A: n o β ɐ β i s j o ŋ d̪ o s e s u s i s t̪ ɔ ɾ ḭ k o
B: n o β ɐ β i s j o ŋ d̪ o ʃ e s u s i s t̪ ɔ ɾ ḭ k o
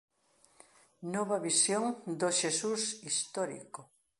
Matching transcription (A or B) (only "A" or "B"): B